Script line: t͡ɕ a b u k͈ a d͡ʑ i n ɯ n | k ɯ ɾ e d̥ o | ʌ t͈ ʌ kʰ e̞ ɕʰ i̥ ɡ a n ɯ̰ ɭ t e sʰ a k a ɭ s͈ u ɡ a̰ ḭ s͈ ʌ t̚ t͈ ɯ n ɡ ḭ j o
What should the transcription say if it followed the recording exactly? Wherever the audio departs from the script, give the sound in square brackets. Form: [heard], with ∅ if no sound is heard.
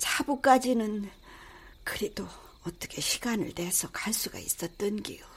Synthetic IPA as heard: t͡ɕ a b u k͈ a d͡ʑ i n ɯ n | k ɯ ɾ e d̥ o | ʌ t͈ ʌ kʰ e̞ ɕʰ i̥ ɡ a n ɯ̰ ɭ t e sʰ [ʌ] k a ɭ s͈ u ɡ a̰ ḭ s͈ ʌ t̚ t͈ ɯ n ɡ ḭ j o